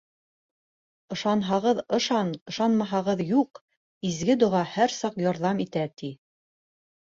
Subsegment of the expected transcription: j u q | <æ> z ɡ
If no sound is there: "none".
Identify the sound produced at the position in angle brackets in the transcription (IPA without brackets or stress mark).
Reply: i